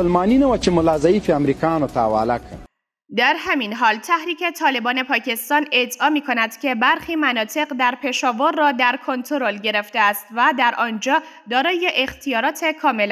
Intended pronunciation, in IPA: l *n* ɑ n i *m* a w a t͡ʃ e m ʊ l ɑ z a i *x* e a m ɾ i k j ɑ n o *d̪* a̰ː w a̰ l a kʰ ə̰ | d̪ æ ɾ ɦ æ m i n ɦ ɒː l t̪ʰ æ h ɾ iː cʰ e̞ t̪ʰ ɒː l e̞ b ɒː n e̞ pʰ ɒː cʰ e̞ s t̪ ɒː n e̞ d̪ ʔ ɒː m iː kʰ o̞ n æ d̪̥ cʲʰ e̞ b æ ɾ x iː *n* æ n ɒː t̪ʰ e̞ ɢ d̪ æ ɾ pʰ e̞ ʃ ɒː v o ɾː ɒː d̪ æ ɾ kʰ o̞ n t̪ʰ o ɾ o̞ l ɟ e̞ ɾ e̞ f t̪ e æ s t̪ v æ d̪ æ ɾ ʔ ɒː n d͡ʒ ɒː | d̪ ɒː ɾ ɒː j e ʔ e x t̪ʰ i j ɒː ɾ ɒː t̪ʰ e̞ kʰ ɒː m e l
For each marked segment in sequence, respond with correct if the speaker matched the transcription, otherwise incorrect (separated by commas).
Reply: incorrect, incorrect, incorrect, incorrect, incorrect